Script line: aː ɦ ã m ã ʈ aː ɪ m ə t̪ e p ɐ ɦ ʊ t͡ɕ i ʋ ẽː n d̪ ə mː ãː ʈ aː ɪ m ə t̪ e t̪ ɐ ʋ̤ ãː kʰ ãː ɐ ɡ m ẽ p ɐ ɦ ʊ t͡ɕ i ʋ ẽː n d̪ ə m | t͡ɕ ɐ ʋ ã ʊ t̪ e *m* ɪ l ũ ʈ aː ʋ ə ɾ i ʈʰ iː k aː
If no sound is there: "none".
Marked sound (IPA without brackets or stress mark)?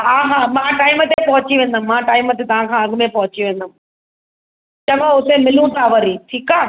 m